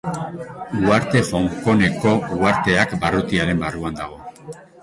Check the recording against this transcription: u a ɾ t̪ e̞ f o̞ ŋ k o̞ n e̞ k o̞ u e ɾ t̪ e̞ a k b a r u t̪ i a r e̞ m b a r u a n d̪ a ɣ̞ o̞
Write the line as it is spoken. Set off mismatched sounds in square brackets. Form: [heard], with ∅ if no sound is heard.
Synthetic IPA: u a ɾ t̪ e̞ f o̞ ŋ k o̞ n e̞ k o̞ u [a] ɾ t̪ e̞ a k b a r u t̪ i a [ɾ] e̞ m b a r u a n d̪ a ɣ̞ o̞